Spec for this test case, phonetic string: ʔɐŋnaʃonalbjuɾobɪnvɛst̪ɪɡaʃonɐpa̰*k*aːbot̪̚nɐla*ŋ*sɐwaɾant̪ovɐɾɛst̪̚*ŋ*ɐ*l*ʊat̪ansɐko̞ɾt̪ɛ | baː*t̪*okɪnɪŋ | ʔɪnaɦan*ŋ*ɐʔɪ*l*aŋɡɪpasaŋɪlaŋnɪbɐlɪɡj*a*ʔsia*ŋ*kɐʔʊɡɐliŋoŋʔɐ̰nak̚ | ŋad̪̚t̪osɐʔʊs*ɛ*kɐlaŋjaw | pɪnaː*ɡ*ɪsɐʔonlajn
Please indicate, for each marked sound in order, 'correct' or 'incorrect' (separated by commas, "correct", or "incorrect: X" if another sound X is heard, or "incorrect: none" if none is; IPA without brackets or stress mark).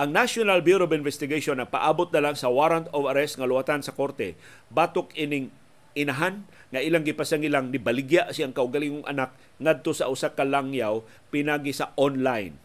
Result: incorrect: ʔ, correct, correct, correct, correct, correct, correct, correct, correct, incorrect: a, correct